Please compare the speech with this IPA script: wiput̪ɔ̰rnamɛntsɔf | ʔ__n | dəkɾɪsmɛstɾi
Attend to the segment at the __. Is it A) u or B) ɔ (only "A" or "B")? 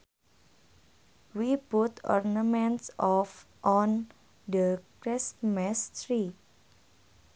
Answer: B